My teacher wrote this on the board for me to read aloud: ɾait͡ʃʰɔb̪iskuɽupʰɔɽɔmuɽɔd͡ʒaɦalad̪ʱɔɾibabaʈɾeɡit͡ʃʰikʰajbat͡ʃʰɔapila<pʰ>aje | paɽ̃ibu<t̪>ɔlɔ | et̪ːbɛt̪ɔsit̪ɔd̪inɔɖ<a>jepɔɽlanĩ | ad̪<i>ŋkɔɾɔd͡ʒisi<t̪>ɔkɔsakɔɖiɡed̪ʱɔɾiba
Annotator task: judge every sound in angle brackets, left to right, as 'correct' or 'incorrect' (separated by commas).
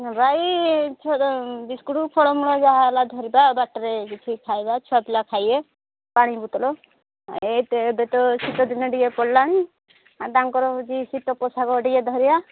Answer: incorrect, correct, incorrect, incorrect, correct